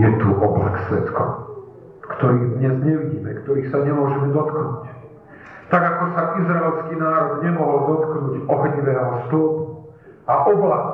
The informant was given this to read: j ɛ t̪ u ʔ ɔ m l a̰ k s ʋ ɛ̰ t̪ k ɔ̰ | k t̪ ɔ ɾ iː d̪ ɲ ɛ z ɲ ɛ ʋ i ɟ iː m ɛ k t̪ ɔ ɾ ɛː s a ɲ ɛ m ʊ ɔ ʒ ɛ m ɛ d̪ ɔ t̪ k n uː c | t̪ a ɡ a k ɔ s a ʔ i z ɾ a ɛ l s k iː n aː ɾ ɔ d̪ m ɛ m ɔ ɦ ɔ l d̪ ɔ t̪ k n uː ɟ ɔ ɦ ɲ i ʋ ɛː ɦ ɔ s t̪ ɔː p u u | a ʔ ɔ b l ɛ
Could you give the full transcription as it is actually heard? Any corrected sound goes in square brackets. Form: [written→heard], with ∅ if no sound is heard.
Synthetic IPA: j ɛ t̪ u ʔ ɔ [m→b] l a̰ k s ʋ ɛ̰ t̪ k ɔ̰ | k t̪ ɔ ɾ iː d̪ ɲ ɛ z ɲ ɛ ʋ i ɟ iː m ɛ k t̪ ɔ ɾ [ɛː→iː] s a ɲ ɛ m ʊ ɔ ʒ ɛ m ɛ d̪ ɔ t̪ k n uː c | t̪ a ɡ a k ɔ s a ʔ i z ɾ a ɛ l s k iː n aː ɾ ɔ d̪ [m→ɲ] ɛ m ɔ ɦ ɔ l d̪ ɔ t̪ k n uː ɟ ɔ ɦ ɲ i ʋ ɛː ɦ ɔ s t̪ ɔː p u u | a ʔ ɔ b l [ɛ→a]